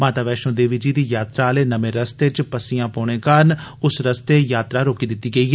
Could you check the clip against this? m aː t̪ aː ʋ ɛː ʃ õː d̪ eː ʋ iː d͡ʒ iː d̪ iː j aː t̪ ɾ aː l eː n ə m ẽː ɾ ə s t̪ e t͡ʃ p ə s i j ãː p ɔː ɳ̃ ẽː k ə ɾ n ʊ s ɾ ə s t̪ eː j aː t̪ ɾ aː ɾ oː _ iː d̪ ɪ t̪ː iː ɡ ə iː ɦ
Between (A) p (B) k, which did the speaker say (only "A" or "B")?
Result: B